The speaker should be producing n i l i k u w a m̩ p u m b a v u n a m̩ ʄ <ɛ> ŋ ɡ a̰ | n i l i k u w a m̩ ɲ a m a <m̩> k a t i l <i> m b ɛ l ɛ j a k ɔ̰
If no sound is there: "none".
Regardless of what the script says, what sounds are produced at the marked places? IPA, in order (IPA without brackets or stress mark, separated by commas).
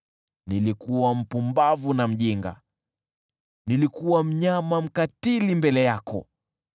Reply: i, m̩, i